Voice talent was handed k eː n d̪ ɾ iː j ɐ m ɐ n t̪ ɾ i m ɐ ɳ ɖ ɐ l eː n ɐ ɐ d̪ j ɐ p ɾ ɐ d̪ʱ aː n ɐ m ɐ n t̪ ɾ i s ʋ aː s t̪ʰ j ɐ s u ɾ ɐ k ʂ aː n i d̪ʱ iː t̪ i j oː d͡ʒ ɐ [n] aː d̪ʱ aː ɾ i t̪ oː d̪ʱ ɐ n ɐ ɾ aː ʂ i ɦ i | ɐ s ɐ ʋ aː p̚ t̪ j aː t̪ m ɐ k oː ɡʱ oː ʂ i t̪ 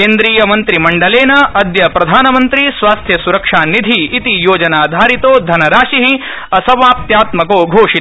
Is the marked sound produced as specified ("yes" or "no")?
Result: yes